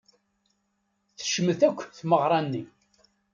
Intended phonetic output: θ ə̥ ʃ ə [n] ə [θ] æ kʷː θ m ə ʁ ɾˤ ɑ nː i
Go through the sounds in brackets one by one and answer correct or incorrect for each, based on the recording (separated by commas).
incorrect, correct